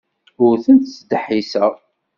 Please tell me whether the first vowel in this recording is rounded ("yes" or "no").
yes